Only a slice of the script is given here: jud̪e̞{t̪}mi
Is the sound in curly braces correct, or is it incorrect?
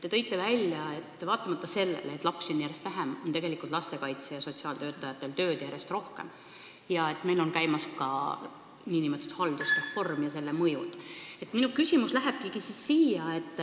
correct